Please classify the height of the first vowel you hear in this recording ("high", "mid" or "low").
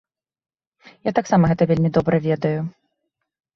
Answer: low